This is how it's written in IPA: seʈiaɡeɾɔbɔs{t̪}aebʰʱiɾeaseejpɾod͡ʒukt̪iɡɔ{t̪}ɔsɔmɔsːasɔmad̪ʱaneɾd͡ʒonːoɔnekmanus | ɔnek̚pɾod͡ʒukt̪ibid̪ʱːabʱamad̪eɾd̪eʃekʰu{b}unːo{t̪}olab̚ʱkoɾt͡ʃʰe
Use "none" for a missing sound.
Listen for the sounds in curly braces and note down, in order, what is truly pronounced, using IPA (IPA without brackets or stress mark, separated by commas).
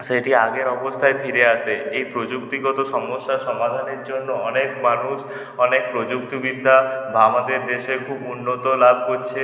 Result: t̪ʰ, t̪, b, t̪